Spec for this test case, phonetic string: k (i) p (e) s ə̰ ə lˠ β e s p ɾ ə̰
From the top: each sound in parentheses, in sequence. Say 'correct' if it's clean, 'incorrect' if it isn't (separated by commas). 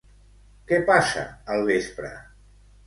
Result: incorrect, incorrect